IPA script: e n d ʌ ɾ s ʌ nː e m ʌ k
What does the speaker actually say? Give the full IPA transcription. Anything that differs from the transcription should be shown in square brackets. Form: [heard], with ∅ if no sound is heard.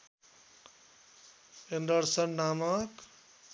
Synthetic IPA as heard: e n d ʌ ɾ s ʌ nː [a] m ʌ k